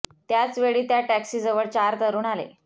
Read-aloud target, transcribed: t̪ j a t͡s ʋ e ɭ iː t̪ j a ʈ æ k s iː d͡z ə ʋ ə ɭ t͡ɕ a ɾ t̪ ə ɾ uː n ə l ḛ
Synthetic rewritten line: t̪ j a t͡s ʋ e ɭ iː t̪ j a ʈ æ k s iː d͡z ə ʋ ə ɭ t͡ɕ a ɾ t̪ ə ɾ uː n a l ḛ